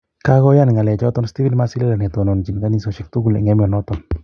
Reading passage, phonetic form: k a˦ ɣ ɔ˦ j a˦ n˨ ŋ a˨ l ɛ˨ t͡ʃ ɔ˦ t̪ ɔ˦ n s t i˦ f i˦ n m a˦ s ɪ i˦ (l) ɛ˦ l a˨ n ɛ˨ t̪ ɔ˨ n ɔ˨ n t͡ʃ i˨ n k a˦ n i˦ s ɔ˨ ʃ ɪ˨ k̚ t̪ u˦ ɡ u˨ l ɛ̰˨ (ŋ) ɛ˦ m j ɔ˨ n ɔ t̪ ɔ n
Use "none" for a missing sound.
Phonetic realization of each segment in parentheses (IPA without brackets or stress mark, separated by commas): l, ŋ